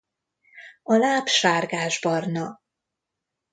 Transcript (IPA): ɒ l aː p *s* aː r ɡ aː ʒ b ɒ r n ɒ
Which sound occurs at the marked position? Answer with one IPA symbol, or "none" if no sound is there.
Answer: ʃ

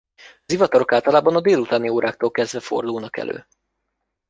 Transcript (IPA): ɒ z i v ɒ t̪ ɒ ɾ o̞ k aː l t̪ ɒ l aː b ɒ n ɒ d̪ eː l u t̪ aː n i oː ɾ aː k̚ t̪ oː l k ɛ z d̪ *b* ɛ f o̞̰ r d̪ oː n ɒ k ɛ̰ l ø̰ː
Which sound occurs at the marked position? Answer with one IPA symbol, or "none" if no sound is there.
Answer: v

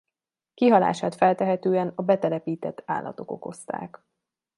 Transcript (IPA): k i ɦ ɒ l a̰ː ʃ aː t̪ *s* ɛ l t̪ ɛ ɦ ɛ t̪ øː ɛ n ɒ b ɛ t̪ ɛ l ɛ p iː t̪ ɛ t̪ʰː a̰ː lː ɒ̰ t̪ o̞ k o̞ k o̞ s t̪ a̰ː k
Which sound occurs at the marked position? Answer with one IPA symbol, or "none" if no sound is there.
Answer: f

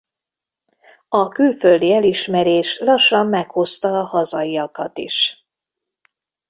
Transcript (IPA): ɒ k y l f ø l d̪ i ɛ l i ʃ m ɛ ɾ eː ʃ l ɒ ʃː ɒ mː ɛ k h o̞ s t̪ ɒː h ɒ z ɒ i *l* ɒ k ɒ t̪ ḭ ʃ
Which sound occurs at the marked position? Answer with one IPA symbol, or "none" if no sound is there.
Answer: none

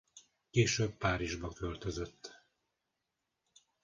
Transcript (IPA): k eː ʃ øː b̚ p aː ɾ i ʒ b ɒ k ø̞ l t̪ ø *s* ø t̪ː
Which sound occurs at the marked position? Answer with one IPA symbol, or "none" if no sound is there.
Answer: z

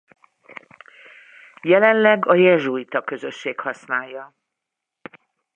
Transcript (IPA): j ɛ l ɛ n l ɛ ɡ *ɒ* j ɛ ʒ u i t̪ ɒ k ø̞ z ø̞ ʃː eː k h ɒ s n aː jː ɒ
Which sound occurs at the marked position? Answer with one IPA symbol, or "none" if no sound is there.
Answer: ɒ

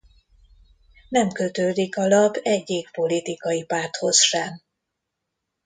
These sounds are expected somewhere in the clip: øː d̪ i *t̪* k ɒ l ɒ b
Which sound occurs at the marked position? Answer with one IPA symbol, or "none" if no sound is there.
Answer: none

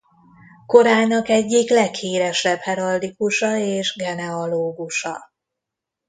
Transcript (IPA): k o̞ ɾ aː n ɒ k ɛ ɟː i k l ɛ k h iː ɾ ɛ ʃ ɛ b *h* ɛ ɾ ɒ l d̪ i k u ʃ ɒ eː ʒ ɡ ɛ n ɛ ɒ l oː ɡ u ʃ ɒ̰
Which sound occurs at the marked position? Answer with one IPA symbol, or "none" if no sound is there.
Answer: h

